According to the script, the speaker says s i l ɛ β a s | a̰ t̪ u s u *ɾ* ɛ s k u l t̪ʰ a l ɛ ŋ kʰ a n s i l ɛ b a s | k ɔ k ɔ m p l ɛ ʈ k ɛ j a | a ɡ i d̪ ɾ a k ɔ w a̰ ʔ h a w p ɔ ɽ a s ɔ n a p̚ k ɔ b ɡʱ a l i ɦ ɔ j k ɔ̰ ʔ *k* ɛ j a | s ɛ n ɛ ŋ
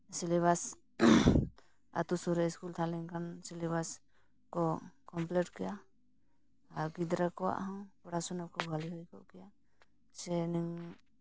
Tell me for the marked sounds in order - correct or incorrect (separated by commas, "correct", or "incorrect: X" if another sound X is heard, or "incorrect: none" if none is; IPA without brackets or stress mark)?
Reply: correct, correct